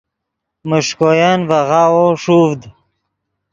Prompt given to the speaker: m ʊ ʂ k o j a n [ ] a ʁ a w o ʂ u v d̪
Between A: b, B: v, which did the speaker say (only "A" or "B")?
B